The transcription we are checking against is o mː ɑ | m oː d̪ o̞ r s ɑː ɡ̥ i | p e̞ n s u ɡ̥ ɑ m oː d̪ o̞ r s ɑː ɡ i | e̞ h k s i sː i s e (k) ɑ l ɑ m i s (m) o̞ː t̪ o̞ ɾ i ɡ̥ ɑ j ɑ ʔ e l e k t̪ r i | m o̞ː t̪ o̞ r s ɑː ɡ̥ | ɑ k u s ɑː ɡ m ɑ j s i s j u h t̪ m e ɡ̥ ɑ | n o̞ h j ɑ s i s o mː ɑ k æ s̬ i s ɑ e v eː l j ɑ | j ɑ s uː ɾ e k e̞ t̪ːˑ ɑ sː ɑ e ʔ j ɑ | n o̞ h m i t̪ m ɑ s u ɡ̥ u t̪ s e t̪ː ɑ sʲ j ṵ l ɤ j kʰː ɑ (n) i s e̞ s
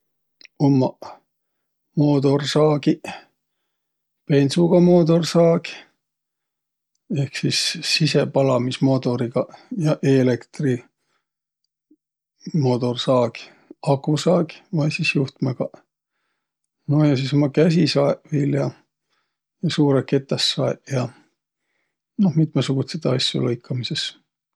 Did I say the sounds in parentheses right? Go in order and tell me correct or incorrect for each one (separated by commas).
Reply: incorrect, correct, incorrect